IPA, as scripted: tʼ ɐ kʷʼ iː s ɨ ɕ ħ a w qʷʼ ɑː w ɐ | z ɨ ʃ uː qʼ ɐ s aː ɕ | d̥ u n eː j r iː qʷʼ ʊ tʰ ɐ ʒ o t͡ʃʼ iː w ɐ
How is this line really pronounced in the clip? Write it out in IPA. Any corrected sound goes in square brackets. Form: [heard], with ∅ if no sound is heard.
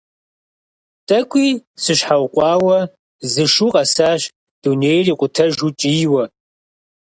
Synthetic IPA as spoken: tʼ ɐ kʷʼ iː s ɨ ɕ ħ a w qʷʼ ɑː w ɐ | z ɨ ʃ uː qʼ ɐ s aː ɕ | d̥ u n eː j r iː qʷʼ ʊ tʰ ɐ ʒ [u] t͡ʃʼ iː w ɐ